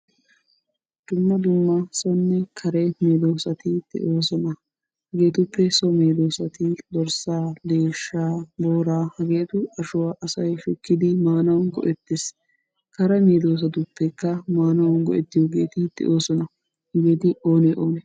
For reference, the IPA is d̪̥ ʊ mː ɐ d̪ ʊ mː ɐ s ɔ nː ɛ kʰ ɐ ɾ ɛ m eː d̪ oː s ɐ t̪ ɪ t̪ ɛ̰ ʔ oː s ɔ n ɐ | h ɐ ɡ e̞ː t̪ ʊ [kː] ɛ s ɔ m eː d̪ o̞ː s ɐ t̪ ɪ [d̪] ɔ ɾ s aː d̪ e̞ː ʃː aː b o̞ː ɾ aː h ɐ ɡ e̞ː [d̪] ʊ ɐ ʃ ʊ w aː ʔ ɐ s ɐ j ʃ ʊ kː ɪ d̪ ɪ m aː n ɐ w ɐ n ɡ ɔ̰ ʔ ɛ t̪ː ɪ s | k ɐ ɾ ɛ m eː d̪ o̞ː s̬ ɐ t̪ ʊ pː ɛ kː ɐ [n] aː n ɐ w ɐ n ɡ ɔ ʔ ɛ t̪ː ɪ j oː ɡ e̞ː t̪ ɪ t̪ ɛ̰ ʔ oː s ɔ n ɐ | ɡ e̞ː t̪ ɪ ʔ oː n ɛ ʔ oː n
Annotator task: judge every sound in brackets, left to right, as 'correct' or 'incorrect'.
incorrect, correct, incorrect, incorrect

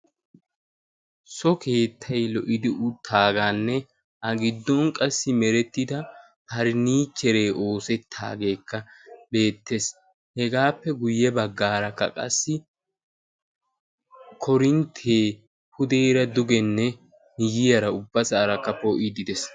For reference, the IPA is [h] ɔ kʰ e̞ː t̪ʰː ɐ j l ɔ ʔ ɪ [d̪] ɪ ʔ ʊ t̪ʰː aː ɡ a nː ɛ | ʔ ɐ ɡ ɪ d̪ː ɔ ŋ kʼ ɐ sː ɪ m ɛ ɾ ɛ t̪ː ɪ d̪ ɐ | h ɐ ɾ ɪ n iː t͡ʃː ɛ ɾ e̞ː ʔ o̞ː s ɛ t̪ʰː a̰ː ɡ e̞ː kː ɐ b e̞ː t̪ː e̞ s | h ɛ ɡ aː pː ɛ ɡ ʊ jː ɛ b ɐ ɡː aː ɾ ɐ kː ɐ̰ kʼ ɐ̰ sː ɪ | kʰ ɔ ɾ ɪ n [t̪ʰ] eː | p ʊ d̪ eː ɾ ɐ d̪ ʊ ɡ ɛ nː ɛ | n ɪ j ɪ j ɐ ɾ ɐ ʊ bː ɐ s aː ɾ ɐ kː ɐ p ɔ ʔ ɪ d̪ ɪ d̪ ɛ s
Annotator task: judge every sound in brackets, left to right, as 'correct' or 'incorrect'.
incorrect, correct, correct

